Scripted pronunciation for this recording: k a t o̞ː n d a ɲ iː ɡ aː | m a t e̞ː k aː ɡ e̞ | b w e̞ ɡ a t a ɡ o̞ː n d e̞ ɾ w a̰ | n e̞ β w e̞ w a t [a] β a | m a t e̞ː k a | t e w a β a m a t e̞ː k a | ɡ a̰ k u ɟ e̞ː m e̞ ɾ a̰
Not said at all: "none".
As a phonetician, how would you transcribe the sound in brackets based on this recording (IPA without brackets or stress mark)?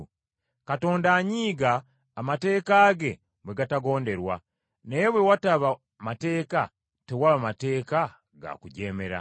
a